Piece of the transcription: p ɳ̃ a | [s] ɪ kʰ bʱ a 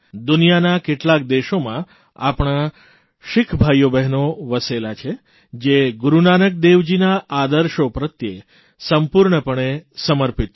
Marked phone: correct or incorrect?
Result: incorrect